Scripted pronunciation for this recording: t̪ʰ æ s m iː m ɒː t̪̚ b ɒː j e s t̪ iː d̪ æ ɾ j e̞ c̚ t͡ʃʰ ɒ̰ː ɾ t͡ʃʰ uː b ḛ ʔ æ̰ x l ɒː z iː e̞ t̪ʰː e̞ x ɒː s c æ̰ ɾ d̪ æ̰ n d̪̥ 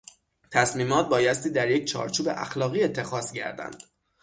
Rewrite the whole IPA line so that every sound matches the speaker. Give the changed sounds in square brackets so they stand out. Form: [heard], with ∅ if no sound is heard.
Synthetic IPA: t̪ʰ æ s m iː m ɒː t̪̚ b ɒː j [æ] s t̪ iː d̪ æ ɾ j e̞ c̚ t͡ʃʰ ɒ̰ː ɾ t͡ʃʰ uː b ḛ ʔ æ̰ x l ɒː [ɣ] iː e̞ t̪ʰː e̞ x ɒː s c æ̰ ɾ d̪ æ̰ n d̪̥